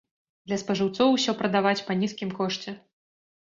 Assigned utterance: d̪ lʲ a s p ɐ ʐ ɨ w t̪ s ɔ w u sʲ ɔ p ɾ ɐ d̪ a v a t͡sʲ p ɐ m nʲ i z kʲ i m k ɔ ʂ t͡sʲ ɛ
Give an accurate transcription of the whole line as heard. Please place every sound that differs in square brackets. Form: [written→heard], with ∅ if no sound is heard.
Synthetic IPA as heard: d̪ lʲ [a→ɐ] s p ɐ ʐ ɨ w t̪ s ɔ w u sʲ ɔ p ɾ ɐ d̪ a v a t͡sʲ p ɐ [m→∅] nʲ i [z→s] kʲ i m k ɔ ʂ t͡sʲ ɛ